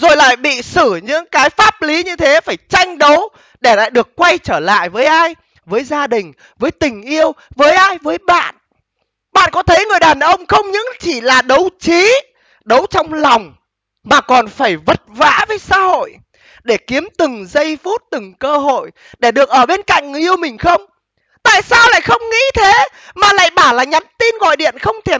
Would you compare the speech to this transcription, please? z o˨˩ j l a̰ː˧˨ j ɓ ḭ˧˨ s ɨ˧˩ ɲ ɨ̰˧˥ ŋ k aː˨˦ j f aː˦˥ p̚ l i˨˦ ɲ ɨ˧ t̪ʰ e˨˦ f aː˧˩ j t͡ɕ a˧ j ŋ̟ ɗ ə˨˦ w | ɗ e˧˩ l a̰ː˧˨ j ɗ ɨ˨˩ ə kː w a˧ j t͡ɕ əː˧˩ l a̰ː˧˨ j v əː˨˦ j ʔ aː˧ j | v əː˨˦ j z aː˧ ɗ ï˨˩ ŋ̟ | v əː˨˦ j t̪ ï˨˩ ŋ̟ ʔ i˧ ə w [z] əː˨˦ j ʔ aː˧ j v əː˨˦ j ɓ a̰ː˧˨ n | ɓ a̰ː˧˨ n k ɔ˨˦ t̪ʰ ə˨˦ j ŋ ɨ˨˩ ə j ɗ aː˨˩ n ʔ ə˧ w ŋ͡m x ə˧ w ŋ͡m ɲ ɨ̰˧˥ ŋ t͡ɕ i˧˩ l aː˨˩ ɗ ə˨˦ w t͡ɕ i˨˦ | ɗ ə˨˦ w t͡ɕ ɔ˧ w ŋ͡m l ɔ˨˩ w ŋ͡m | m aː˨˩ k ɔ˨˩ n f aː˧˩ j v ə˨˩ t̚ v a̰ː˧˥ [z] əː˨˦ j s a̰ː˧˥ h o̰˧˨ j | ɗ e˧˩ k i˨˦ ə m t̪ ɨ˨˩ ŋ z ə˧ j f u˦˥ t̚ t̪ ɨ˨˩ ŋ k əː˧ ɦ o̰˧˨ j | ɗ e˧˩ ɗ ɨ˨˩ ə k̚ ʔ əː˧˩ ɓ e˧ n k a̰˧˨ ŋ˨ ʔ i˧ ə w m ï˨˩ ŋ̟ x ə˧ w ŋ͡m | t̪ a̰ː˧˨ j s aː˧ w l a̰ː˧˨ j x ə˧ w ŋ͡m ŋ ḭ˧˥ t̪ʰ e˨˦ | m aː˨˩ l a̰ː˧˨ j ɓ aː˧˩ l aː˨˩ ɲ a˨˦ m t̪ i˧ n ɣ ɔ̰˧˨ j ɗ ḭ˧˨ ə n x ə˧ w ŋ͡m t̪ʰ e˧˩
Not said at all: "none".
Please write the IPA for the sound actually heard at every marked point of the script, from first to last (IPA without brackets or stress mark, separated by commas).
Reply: v, v